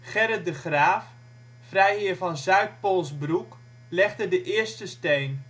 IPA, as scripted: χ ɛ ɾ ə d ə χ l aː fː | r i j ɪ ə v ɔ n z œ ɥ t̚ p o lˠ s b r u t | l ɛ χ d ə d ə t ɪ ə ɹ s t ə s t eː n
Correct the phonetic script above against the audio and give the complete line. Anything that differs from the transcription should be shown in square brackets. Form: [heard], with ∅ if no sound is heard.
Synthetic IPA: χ ɛ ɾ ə d ə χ [r] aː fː | r [ɛ] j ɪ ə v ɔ n z œ ɥ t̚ p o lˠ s b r u [k] | l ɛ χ d ə d ə [ʔ] ɪ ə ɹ s t ə s t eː n